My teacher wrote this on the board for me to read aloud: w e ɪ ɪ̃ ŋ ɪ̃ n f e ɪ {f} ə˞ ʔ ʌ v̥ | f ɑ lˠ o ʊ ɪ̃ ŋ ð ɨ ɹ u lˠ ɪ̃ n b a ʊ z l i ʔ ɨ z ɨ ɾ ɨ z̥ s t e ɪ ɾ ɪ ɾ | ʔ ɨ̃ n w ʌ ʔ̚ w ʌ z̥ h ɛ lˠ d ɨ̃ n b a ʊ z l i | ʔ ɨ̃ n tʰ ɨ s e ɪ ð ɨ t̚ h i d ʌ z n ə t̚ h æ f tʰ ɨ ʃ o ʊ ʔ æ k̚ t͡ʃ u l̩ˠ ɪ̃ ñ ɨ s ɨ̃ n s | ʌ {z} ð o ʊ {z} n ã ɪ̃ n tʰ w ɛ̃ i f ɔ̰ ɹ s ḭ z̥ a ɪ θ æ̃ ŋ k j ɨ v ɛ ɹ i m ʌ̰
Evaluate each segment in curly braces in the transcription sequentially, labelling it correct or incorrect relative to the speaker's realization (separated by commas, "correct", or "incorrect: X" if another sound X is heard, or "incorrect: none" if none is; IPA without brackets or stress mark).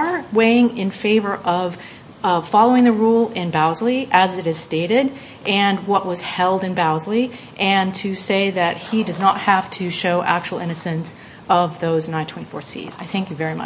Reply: incorrect: v, incorrect: v, correct